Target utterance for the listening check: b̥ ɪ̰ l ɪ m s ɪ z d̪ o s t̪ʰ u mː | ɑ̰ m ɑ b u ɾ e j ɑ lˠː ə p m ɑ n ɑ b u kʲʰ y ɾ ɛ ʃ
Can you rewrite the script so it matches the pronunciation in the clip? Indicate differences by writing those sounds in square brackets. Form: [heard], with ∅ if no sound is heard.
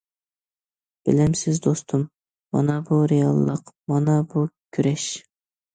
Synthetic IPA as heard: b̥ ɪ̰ l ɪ m s ɪ z d̪ o s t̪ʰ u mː | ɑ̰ [n] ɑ b u ɾ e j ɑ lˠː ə [q] m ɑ n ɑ b u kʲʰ y ɾ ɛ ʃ